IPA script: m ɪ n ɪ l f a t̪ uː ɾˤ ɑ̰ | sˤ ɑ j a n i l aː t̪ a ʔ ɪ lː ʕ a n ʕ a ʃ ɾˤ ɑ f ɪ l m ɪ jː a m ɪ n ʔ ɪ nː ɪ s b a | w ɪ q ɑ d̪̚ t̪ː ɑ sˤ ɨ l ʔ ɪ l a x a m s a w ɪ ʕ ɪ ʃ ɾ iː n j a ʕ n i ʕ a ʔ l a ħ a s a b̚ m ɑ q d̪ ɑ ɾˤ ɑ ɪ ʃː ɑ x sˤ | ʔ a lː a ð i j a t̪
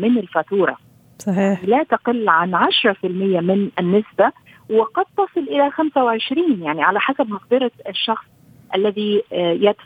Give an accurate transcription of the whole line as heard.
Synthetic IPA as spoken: m ɪ n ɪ l f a t̪ uː ɾˤ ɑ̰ | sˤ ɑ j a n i l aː t̪ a q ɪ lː ʕ a n ʕ a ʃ ɾˤ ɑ f ɪ l m ɪ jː a m ɪ n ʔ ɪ nː ɪ s b a | w ɪ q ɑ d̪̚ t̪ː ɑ sˤ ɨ l ʔ ɪ l a x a m s a w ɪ ʕ ɪ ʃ ɾ iː n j a ʕ n i ʕ a l a ħ a s a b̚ m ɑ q d̪ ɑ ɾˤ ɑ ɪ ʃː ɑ x sˤ | ʔ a lː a ð i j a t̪